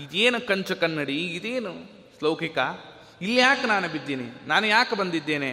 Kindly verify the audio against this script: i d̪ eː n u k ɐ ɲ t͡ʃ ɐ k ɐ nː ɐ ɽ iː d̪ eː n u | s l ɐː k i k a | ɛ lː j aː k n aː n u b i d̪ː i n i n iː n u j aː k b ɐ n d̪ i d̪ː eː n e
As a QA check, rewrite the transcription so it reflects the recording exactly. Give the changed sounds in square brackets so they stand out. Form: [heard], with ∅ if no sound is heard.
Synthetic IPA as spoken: i d̪ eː n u k ɐ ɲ t͡ʃ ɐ k ɐ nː ɐ ɽ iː d̪ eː n u | s l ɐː k i k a | [i] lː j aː k n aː n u b i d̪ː i n i n [aː] n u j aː k b ɐ n d̪ i d̪ː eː n e